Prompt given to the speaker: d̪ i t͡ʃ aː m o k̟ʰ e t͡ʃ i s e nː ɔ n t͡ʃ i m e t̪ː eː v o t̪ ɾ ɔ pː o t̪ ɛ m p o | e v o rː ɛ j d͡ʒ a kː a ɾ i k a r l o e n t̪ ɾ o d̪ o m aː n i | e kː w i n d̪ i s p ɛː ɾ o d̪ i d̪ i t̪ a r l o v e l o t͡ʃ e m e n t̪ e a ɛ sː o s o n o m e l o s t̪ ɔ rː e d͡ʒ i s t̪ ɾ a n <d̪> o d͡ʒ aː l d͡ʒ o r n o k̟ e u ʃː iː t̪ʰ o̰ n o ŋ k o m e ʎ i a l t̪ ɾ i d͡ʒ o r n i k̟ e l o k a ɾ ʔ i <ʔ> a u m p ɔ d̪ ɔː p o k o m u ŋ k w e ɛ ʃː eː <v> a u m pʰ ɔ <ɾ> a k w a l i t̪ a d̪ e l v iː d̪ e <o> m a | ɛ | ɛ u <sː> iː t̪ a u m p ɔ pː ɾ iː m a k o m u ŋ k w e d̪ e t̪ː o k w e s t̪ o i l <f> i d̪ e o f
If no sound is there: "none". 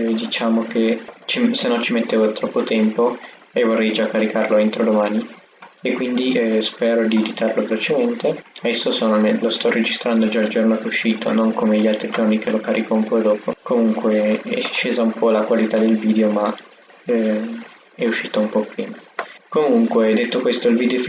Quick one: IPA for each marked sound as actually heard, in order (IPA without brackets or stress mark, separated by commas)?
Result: d̪, k, z, l, o, ʃː, v